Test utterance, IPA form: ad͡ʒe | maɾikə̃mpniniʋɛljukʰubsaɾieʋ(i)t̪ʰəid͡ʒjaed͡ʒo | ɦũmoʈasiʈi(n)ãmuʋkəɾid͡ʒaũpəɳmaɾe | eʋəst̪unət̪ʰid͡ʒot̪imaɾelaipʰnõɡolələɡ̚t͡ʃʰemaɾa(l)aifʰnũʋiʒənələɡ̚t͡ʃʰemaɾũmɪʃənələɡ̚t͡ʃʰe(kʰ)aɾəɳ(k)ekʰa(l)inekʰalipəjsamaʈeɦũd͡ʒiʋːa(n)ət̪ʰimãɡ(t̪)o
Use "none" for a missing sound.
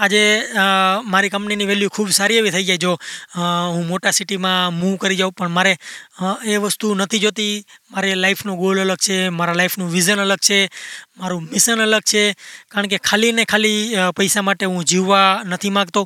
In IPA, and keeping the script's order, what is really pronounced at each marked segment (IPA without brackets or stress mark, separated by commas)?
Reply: i, m, l, k, k, l, n, t̪